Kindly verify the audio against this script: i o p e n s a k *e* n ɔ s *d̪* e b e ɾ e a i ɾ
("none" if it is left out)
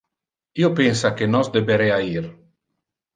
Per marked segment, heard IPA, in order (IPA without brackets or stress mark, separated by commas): e, d̪